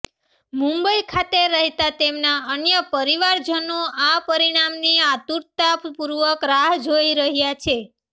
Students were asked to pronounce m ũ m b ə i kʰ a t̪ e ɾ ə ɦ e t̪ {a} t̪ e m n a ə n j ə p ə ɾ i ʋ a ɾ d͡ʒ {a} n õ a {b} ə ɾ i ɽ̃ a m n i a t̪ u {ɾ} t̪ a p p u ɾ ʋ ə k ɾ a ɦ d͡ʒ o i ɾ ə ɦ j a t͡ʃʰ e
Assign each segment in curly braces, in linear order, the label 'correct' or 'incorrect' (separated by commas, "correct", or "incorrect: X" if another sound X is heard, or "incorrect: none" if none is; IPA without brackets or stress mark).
correct, incorrect: ə, incorrect: p, correct